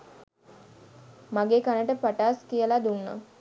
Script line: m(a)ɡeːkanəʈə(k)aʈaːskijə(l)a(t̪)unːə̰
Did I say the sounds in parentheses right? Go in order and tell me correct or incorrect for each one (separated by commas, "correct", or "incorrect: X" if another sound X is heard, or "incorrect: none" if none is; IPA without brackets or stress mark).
correct, incorrect: p, correct, incorrect: d̪